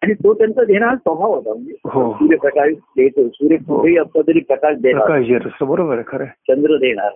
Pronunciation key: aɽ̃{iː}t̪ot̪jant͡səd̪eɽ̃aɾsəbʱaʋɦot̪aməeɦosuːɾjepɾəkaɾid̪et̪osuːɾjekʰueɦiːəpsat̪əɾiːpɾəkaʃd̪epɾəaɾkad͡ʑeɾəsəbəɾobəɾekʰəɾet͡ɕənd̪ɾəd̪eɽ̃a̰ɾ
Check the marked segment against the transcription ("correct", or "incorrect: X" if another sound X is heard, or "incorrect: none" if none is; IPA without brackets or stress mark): incorrect: i